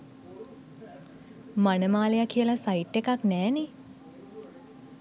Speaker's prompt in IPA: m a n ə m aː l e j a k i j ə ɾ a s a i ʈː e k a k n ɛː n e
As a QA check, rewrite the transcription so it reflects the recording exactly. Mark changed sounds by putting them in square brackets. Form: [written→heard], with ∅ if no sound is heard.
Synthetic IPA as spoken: m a n ə m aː l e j a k i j ə [ɾ→l] a s a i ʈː e k a k n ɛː n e